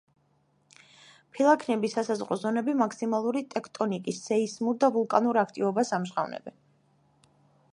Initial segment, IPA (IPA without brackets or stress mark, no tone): pʰ